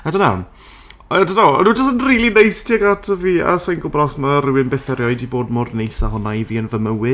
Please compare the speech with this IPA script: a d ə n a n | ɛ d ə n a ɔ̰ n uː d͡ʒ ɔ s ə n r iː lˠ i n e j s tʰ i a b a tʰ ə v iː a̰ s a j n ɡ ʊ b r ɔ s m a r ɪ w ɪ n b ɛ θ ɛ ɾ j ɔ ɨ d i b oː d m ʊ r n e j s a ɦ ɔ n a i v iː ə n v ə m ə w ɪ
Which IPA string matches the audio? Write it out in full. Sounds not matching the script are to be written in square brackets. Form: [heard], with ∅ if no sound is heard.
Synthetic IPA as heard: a d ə n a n | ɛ d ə n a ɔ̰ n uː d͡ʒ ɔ s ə n r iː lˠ i n e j s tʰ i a [ɡ] a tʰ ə v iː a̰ s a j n ɡ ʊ b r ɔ s m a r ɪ w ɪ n b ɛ θ ɛ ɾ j ɔ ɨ d i b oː d m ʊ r n e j s a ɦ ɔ n a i v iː ə n v ə m ə w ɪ